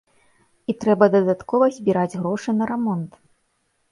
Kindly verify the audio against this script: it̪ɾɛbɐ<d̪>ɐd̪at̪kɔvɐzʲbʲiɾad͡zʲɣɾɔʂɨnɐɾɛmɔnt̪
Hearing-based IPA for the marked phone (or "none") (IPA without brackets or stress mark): d̪